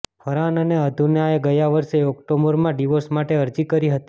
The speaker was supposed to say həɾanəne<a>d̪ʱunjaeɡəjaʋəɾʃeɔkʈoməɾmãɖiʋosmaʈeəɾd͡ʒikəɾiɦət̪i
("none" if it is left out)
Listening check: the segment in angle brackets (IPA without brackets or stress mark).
ə